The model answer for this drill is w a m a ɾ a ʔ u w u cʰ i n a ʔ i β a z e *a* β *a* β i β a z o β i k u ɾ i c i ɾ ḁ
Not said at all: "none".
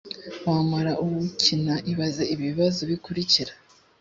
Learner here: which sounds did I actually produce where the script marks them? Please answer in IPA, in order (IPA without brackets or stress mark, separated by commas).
i, i